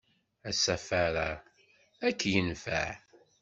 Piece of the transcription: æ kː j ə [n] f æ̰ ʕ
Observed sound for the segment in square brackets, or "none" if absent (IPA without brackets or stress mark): n